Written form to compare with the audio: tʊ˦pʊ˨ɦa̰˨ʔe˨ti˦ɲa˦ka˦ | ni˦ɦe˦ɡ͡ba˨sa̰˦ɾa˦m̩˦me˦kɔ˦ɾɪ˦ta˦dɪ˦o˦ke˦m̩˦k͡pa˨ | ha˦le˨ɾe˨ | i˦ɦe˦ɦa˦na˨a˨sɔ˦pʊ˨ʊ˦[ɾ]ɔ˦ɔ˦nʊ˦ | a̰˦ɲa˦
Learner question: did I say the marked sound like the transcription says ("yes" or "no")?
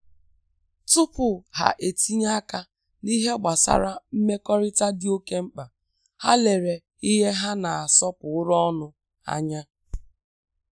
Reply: yes